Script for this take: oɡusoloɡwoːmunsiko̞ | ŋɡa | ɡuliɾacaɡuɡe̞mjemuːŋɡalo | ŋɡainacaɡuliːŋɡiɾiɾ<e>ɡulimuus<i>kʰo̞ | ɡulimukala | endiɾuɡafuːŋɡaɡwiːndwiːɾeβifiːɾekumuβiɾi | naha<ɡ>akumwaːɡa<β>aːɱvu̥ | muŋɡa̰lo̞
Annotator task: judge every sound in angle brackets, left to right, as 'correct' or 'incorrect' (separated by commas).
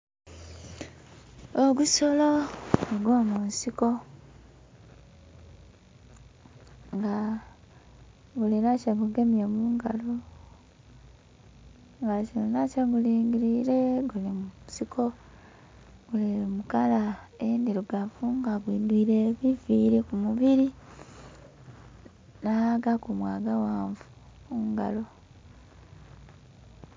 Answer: correct, correct, correct, incorrect